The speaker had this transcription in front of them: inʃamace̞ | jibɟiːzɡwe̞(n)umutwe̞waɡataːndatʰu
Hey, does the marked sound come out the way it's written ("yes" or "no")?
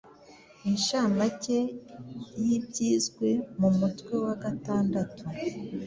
no